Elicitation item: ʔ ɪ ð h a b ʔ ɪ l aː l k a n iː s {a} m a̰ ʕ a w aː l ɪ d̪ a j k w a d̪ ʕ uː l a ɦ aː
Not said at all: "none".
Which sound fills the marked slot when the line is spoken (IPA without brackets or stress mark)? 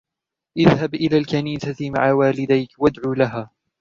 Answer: a